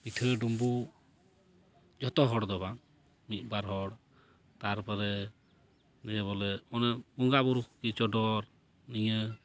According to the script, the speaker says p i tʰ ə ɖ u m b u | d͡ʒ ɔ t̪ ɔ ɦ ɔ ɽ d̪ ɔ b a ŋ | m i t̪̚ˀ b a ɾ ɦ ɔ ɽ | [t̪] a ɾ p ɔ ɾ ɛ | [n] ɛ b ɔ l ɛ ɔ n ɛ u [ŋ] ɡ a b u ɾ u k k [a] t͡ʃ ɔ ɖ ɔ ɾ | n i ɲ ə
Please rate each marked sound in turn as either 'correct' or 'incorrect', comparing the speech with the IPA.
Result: correct, correct, correct, incorrect: i

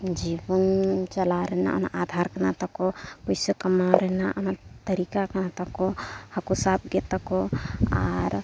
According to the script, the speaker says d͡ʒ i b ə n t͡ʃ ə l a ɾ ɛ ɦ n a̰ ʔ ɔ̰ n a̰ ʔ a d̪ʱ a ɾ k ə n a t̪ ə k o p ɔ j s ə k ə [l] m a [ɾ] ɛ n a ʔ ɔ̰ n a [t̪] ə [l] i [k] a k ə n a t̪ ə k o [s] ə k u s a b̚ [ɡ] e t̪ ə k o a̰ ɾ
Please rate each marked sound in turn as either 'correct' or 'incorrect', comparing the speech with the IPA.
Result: incorrect: none, correct, correct, incorrect: ɾ, correct, incorrect: h, correct

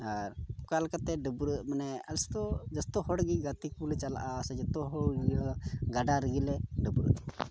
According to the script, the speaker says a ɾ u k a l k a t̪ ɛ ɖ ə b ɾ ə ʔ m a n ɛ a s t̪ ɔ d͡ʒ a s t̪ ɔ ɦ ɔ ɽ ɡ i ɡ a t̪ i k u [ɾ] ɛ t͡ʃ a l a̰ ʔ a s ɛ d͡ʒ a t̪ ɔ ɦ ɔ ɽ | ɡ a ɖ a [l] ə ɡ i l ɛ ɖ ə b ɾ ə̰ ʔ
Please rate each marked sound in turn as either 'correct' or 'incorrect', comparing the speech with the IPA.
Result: incorrect: l, incorrect: ɾ

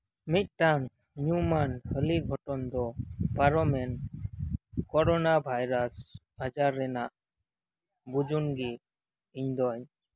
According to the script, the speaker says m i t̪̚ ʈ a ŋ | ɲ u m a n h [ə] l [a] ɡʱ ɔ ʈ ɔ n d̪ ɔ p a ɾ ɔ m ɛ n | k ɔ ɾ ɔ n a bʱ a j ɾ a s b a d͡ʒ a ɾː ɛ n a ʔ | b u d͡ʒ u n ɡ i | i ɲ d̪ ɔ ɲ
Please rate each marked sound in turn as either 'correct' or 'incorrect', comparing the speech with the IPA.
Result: correct, incorrect: i

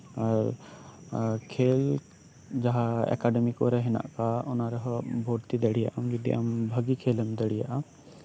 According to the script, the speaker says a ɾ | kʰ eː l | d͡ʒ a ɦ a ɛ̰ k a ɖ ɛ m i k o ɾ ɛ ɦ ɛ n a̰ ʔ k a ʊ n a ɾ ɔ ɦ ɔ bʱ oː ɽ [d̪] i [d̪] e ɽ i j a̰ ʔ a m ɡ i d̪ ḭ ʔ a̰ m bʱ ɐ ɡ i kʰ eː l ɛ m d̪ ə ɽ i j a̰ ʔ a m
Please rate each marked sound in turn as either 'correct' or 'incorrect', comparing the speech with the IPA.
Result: incorrect: t̪, correct

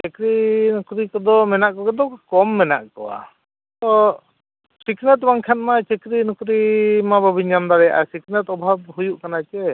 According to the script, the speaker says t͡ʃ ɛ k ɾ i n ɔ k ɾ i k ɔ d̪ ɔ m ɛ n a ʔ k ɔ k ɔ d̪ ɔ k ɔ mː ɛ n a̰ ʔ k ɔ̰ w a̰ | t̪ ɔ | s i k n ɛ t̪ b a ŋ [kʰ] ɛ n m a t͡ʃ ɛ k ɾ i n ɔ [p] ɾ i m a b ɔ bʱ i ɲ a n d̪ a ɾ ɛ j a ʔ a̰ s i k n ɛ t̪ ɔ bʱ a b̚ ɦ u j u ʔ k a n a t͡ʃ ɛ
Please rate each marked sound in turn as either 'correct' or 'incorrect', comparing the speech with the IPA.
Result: correct, incorrect: k

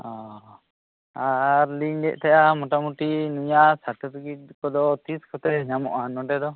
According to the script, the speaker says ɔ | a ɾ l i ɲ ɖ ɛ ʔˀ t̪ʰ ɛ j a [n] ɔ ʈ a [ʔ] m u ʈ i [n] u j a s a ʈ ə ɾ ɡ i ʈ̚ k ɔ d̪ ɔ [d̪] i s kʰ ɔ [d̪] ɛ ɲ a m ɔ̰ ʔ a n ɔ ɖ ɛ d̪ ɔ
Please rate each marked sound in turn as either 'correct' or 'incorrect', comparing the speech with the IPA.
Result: incorrect: m, incorrect: none, correct, incorrect: t̪, incorrect: t̪

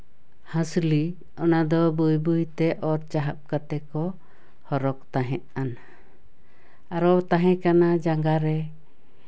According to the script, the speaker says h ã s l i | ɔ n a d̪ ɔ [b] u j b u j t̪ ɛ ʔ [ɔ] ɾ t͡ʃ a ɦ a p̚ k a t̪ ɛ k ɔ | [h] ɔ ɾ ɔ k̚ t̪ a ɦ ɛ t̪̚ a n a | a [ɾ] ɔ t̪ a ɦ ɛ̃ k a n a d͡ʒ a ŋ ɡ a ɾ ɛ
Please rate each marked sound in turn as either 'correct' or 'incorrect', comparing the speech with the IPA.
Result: correct, correct, correct, correct

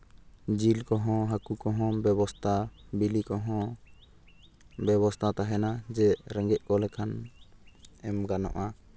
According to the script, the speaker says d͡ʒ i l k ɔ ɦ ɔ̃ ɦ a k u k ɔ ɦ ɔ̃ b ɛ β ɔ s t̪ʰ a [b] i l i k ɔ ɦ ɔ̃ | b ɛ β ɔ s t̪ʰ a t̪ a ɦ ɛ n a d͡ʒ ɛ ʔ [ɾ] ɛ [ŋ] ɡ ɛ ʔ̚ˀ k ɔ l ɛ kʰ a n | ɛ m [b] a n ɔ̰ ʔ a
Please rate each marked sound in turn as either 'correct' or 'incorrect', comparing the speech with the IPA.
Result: correct, correct, correct, incorrect: ɡ

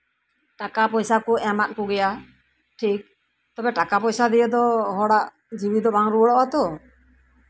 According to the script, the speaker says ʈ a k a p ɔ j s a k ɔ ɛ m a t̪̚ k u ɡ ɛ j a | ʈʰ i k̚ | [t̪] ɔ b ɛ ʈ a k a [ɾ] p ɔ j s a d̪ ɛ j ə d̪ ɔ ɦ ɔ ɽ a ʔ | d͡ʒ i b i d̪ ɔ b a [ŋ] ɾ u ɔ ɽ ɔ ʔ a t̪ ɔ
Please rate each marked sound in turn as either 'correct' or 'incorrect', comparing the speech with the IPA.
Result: correct, incorrect: none, correct

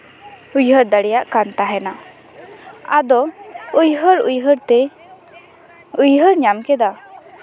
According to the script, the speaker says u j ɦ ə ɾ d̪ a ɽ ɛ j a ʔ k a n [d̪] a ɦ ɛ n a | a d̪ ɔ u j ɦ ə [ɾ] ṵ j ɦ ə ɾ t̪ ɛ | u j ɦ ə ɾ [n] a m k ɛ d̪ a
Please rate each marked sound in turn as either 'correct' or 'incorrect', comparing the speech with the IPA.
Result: incorrect: t̪, correct, incorrect: ɲ

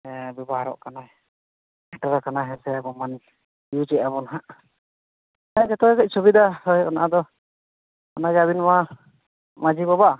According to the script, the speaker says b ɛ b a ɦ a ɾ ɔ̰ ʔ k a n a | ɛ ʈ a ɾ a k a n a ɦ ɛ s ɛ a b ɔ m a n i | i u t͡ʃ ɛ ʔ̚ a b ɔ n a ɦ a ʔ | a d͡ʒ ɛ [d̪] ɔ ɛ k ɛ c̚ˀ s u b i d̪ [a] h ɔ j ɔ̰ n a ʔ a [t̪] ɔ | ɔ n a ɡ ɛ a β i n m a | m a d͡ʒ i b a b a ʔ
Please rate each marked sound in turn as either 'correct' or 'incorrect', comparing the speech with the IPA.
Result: incorrect: t̪, correct, incorrect: d̪

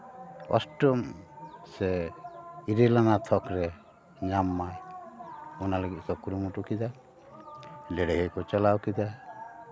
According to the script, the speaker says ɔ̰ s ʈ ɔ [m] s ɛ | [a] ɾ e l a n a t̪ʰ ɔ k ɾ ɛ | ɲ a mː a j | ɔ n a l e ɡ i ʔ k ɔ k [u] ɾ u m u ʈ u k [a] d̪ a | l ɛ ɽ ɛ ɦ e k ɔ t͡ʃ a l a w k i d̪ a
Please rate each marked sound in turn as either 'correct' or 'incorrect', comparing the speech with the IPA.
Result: correct, incorrect: i, correct, incorrect: i

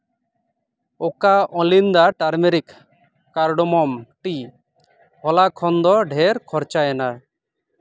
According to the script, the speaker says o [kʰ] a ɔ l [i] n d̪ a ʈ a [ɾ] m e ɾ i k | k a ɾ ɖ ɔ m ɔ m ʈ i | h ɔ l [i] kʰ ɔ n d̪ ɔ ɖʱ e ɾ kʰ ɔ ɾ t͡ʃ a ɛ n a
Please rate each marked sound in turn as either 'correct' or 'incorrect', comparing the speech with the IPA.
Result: incorrect: k, correct, correct, incorrect: a

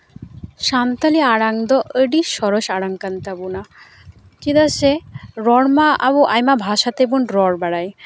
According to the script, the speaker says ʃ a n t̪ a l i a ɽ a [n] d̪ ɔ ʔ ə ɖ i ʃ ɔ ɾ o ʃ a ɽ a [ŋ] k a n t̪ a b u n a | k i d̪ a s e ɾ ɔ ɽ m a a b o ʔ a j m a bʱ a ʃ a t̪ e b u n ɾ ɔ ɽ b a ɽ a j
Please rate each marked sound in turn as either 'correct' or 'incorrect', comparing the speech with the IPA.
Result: incorrect: ŋ, correct

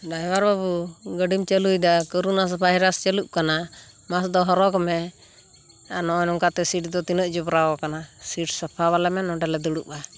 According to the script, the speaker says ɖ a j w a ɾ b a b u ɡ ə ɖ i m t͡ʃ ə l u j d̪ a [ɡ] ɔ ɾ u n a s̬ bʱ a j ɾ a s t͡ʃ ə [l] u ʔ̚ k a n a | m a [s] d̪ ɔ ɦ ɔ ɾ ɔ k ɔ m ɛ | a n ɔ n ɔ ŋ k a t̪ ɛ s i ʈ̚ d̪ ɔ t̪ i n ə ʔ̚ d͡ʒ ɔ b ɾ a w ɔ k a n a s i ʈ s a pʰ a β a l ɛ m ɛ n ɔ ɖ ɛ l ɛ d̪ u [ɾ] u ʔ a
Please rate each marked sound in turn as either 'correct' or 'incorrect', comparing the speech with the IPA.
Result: incorrect: k, correct, correct, incorrect: ɽ

